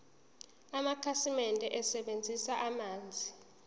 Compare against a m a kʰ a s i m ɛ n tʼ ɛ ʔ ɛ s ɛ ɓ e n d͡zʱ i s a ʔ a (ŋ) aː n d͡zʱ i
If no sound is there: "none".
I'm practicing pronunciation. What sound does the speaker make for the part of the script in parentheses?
m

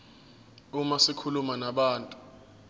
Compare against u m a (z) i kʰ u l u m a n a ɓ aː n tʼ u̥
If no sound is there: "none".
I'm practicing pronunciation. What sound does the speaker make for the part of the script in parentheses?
s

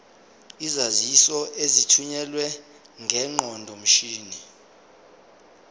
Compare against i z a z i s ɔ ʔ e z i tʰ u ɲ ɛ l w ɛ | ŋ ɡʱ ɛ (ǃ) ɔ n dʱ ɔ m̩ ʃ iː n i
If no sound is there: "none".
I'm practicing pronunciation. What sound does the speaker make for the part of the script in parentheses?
ŋ͡ǃ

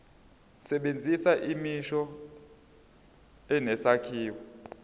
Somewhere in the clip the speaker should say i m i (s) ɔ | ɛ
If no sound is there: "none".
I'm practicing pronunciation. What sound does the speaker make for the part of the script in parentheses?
ʃ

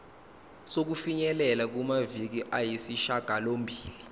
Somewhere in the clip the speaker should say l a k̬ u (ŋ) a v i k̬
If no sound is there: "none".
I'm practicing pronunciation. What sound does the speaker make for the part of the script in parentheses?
m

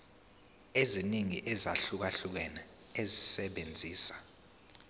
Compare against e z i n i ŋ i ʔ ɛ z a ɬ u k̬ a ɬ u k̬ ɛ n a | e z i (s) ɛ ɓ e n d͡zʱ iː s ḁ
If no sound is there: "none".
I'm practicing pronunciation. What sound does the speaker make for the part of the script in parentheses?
s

